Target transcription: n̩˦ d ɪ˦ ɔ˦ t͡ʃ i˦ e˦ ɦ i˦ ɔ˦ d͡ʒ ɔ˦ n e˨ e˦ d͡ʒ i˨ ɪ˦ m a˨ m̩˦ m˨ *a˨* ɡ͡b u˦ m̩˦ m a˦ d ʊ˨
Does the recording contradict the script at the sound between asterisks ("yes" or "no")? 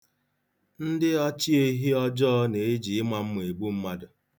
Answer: yes